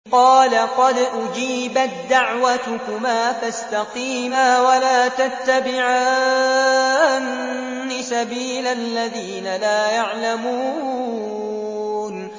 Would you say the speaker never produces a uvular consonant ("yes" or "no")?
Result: no